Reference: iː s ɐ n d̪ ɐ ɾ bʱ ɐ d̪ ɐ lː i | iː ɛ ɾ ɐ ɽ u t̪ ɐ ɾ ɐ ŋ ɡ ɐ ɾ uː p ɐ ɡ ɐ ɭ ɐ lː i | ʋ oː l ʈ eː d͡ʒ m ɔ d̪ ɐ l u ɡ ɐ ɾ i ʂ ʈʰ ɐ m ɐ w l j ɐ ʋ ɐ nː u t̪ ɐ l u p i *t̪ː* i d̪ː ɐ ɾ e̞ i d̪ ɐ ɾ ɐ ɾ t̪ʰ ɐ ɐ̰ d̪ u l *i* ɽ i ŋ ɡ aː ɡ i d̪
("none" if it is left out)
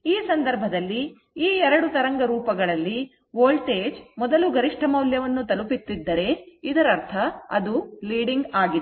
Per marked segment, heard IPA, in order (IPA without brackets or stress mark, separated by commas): t̪ː, iː